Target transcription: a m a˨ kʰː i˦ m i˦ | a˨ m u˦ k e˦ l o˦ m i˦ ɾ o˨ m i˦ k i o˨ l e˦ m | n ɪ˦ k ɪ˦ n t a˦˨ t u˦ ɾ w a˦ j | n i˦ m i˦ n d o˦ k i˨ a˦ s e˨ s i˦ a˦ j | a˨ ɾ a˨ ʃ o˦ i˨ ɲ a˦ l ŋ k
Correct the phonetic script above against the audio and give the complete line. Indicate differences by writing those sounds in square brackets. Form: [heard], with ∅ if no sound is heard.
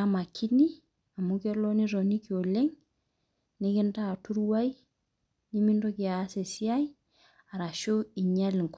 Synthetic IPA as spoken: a m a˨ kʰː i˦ [n] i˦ | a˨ m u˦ k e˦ l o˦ [n] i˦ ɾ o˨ [n] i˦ k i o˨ l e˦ [ŋ] | n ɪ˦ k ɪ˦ n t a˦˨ t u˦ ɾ w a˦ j | n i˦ m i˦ n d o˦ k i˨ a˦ s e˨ s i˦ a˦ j | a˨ ɾ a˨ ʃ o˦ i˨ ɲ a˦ l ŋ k